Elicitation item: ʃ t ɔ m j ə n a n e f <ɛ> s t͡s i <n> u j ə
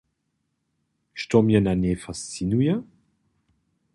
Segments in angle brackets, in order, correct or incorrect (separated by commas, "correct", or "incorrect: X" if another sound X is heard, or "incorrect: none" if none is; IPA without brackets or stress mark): incorrect: a, correct